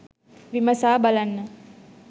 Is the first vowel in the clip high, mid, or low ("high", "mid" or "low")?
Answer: high